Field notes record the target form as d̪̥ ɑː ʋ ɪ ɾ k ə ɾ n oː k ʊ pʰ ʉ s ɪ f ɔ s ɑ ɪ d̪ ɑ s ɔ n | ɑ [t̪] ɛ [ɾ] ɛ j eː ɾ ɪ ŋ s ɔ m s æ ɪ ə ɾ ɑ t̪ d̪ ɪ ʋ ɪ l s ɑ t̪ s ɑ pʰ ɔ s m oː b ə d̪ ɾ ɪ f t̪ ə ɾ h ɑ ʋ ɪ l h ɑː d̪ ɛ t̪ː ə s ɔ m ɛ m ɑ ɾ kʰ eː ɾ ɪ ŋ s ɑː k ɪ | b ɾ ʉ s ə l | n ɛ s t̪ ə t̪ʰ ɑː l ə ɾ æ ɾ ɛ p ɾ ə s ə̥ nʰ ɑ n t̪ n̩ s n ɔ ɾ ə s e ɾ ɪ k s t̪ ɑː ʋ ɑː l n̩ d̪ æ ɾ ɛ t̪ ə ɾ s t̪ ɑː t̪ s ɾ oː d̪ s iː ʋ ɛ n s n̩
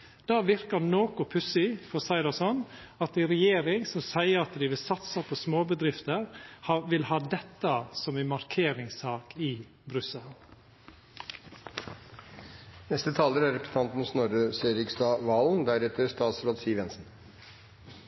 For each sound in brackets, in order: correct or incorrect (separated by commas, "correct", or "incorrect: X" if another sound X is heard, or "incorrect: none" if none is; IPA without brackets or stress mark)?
correct, correct